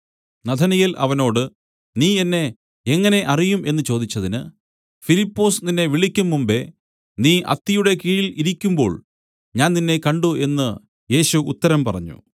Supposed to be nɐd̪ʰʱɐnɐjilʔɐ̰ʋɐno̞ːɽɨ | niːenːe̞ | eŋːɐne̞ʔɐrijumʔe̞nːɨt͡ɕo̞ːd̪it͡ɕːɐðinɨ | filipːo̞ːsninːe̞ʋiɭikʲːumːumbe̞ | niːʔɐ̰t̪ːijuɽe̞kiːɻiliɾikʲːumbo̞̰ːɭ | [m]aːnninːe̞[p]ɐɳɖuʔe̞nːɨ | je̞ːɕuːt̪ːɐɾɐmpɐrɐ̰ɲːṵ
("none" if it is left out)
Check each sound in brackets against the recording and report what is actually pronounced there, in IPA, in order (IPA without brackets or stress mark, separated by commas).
ɲ, k